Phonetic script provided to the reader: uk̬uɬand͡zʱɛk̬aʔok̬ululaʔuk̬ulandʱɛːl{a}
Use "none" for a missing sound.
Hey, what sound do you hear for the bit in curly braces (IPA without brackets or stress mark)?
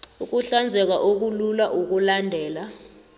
a